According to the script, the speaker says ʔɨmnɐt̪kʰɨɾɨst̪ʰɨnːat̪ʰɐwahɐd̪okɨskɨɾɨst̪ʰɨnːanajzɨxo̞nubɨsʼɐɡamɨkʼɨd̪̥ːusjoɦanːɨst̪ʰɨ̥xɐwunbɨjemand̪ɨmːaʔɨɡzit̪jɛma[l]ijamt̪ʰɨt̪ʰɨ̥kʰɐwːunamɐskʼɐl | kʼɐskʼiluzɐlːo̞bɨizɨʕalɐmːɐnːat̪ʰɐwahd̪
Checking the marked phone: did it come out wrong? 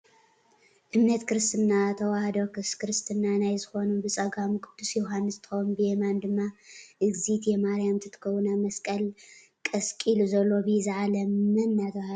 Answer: yes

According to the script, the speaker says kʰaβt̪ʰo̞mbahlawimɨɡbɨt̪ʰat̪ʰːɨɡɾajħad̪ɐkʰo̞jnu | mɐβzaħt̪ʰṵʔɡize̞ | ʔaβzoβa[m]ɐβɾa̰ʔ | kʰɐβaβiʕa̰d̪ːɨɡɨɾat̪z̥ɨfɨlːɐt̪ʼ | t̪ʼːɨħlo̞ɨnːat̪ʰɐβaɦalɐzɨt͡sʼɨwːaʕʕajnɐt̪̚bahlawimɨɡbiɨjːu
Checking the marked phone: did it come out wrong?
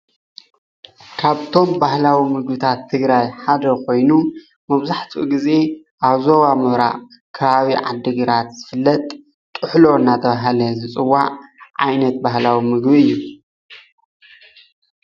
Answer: no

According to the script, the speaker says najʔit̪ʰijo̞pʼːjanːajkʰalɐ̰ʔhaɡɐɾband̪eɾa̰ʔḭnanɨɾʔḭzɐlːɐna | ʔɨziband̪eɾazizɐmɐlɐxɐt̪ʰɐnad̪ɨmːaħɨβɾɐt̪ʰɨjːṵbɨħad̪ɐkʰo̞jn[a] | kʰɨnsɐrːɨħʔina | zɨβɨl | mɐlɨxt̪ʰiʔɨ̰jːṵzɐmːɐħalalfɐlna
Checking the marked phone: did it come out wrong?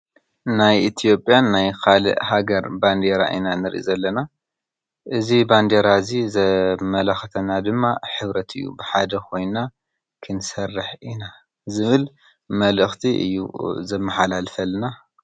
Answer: no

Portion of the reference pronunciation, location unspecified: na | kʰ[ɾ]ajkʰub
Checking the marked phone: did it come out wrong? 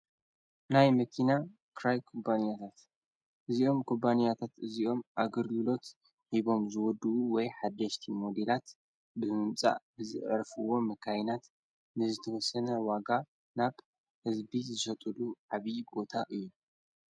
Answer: no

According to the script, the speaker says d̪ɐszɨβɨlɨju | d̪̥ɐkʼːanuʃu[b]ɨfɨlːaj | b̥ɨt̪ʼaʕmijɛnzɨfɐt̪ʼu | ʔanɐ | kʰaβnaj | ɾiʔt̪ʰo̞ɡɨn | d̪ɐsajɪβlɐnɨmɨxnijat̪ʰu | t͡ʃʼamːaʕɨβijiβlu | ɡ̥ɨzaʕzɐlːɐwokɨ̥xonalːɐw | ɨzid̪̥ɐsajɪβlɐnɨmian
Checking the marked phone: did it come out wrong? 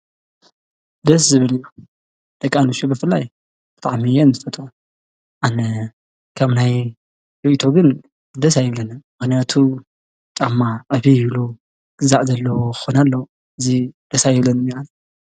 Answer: no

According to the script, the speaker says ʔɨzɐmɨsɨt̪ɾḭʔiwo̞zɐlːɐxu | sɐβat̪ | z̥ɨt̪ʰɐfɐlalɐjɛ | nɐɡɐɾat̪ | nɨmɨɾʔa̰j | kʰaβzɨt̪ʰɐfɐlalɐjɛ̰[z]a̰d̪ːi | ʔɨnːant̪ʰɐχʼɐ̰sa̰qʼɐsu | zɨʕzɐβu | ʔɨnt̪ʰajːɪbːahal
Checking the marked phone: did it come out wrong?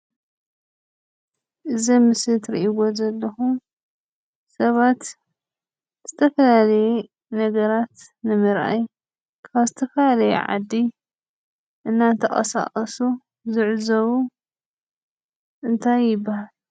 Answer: yes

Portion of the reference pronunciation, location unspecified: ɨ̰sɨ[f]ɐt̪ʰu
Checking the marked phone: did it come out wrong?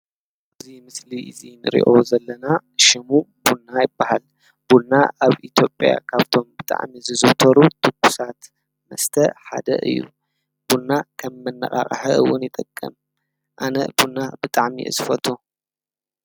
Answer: no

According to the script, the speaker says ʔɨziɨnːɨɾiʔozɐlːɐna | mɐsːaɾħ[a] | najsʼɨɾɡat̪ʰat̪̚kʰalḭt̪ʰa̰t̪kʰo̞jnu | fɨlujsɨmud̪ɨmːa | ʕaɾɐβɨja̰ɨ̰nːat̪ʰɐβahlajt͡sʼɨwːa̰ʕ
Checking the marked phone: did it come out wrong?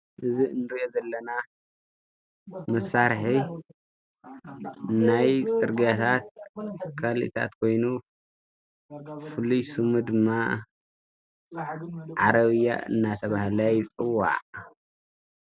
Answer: yes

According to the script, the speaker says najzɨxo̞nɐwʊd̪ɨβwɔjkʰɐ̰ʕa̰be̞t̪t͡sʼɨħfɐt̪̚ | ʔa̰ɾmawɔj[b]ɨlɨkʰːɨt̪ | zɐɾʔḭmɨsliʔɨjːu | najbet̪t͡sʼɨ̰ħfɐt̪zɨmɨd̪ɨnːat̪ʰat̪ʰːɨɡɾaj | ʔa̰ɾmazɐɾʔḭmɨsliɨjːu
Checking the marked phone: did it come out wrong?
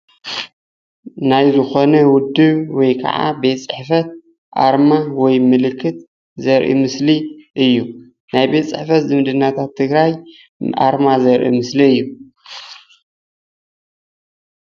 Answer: yes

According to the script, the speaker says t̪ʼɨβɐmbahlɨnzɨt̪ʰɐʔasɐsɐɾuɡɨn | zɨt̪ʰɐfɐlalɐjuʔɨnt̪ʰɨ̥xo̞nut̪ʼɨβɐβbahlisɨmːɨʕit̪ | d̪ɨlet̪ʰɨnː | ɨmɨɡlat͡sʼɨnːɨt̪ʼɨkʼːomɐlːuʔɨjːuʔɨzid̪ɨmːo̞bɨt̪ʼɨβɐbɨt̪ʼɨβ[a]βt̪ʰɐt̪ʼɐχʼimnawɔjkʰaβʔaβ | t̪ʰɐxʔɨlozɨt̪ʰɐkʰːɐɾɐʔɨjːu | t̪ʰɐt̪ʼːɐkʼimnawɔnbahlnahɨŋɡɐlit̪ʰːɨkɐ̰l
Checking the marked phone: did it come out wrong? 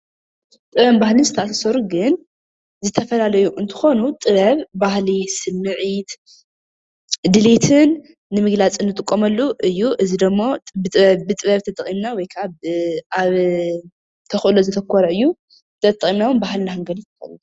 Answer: yes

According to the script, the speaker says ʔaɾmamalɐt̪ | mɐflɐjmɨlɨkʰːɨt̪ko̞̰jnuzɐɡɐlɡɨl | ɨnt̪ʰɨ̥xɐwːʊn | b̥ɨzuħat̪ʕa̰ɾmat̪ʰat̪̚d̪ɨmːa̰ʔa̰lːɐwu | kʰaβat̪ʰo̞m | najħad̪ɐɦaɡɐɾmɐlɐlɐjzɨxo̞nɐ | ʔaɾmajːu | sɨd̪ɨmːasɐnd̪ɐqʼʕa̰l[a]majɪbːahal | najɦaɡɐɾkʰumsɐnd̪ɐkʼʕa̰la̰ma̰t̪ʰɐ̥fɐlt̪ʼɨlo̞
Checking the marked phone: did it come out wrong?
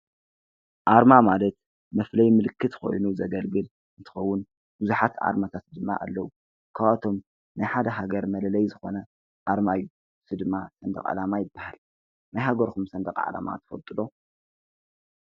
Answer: no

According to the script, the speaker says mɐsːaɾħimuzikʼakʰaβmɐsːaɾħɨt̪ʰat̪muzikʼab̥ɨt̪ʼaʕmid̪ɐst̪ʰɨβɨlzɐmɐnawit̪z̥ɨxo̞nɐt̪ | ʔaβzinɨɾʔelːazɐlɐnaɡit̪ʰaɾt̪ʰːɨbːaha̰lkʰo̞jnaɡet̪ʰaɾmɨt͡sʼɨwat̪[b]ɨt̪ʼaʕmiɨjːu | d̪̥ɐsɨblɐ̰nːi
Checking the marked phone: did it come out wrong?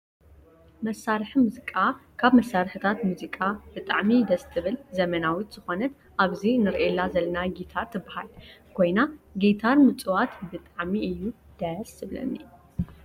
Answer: no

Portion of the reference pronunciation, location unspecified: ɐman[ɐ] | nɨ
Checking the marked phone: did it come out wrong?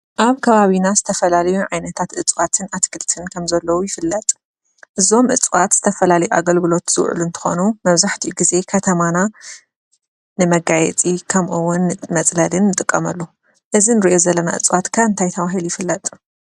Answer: yes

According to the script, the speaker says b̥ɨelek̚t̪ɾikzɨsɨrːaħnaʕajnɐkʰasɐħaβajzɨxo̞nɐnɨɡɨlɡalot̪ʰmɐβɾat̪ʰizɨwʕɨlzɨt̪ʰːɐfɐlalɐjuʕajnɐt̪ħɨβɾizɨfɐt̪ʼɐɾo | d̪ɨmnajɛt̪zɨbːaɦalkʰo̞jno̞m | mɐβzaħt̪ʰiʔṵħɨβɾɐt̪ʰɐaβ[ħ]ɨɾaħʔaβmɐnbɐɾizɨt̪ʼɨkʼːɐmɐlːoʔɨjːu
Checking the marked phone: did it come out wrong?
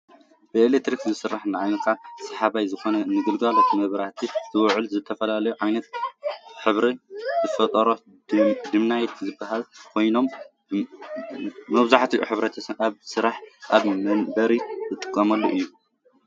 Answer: yes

